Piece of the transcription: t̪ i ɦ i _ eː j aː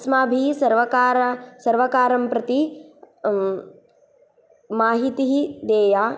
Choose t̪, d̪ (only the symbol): d̪